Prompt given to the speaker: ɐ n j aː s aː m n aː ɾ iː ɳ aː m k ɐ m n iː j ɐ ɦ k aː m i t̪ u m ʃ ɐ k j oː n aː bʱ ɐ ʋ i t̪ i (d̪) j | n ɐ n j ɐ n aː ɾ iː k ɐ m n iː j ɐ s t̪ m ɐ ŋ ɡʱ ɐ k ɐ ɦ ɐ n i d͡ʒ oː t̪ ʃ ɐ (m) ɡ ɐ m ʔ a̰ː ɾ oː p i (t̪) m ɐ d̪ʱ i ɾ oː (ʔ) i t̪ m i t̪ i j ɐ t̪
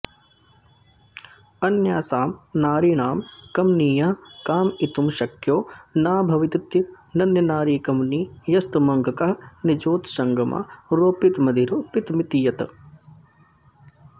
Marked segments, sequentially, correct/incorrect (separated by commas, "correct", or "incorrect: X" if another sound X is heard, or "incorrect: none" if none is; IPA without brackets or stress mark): incorrect: t̪, incorrect: ŋ, correct, incorrect: p